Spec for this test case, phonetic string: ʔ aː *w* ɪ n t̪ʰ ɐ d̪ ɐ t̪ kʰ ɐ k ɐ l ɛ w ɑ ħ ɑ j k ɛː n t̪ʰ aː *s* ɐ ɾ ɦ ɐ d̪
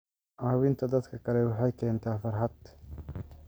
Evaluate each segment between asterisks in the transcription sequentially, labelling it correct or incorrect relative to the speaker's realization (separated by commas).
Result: correct, incorrect